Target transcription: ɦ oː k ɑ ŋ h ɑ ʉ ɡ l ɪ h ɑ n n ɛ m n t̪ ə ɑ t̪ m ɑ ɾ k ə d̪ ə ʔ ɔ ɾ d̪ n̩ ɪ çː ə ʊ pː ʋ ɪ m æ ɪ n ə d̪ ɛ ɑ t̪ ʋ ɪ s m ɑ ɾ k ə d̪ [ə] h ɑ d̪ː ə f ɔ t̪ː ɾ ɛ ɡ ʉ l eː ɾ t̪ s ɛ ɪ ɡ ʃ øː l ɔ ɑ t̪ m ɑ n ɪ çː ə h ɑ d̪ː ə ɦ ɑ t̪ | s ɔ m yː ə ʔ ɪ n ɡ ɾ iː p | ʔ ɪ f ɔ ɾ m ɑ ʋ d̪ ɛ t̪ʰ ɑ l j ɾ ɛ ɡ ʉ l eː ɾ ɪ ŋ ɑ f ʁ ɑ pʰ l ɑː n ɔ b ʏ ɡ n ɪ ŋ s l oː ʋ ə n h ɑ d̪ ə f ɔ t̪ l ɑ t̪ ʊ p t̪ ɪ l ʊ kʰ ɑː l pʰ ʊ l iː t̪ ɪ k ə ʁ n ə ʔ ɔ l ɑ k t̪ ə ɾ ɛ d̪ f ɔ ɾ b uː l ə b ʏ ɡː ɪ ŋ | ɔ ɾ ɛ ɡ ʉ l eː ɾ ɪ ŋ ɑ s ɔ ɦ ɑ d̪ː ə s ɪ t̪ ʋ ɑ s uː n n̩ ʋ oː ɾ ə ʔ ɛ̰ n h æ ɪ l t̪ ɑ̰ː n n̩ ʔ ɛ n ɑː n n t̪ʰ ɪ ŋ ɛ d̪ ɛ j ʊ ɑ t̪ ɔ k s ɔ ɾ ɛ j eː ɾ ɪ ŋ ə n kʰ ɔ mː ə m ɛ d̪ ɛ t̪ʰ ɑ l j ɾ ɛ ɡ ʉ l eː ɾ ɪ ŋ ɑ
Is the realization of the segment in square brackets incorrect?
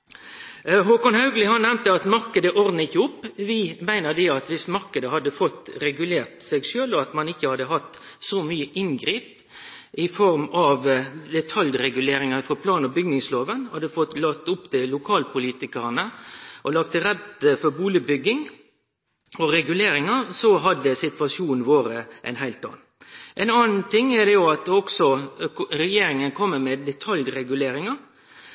no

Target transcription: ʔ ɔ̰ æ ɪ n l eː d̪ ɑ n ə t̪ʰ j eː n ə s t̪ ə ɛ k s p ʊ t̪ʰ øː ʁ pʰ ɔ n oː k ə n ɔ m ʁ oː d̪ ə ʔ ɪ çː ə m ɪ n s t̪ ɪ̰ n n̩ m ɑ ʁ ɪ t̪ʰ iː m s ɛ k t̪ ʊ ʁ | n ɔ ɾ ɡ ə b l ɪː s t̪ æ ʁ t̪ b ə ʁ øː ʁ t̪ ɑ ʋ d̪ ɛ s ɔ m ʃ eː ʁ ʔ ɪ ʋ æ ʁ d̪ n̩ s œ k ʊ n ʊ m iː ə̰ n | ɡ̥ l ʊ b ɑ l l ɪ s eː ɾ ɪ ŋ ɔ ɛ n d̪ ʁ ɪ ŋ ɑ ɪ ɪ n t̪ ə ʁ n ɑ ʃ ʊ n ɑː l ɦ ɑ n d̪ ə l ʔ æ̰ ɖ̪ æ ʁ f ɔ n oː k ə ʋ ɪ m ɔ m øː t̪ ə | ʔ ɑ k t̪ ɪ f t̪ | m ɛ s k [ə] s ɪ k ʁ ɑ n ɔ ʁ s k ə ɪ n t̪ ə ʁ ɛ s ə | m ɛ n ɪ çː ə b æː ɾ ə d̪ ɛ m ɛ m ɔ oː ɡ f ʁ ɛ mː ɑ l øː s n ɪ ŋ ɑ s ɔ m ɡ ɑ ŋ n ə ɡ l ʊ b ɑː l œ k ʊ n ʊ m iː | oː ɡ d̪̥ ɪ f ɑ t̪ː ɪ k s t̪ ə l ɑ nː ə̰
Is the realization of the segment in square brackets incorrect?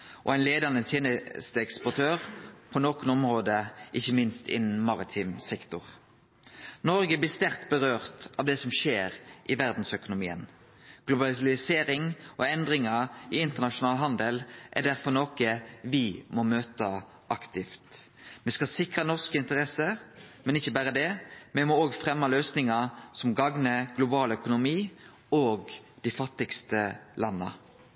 yes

